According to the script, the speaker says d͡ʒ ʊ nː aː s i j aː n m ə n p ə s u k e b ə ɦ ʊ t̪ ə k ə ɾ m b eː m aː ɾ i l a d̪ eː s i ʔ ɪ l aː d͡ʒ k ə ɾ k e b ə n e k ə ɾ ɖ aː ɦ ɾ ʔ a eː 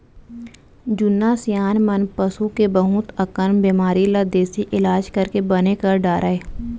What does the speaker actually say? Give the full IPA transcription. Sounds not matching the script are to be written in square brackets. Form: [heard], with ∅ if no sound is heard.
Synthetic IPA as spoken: d͡ʒ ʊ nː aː s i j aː n m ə n p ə s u k e b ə ɦ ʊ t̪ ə k ə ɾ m b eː m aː ɾ i l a d̪ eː s i ʔ ɪ l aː d͡ʒ k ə ɾ k e b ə n e k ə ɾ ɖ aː [∅] ɾ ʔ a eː